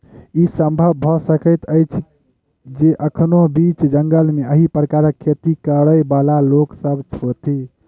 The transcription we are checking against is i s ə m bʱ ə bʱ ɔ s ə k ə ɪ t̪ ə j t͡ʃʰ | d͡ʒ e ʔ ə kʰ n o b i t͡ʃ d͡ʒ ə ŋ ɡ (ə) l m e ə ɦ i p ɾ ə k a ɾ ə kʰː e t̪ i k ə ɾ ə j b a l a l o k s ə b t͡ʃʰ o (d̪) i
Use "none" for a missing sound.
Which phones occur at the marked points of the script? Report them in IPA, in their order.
ə, t̪

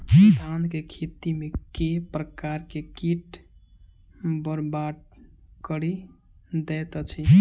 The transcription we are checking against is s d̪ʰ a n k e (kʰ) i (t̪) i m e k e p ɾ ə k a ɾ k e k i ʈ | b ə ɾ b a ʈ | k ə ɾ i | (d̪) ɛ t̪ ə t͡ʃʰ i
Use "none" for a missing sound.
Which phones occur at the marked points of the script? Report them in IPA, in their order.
kʰ, t̪, d̪

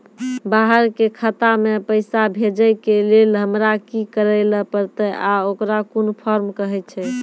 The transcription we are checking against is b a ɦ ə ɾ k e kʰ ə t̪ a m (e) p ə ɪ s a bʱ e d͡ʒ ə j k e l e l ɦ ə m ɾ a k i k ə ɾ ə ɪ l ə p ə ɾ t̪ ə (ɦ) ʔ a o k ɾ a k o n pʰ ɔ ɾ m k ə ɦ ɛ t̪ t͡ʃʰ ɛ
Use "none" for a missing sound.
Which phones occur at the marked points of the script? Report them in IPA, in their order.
e, none

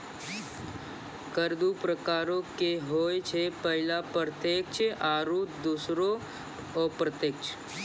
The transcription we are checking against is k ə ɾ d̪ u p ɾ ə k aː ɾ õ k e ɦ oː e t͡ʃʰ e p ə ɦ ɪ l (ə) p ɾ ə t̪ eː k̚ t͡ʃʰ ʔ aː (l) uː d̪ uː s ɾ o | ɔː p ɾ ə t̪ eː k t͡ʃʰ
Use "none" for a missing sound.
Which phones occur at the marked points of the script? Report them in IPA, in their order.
a, ɾ

